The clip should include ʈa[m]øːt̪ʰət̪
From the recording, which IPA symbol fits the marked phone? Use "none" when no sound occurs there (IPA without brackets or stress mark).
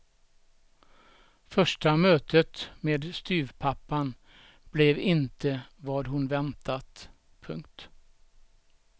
m